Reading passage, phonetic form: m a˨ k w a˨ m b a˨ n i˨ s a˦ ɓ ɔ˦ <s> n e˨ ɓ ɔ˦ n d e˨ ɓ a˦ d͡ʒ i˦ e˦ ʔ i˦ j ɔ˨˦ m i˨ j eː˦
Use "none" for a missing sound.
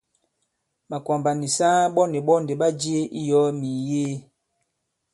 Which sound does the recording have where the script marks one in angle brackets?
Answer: none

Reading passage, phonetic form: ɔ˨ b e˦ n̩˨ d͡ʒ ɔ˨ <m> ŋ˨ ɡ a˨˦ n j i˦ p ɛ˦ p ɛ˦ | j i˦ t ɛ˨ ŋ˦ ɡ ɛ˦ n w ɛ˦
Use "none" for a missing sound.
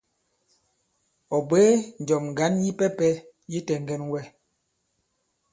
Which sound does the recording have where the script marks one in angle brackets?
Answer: m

